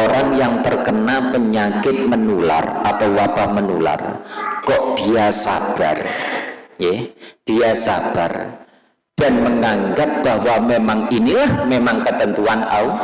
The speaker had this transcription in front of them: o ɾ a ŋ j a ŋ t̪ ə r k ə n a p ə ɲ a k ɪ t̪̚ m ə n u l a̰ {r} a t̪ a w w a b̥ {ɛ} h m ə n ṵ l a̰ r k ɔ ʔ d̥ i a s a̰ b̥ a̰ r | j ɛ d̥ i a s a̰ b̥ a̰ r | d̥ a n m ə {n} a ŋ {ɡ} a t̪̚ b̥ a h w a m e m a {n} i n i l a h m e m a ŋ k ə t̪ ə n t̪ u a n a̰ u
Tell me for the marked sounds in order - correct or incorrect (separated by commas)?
correct, incorrect, incorrect, correct, incorrect